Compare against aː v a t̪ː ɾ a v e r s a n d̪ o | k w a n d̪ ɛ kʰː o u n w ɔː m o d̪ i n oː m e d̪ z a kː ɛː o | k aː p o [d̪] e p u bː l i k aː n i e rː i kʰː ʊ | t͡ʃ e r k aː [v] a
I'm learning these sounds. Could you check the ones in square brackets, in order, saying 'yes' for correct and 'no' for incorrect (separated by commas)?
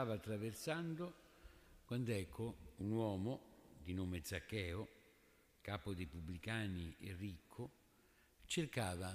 yes, yes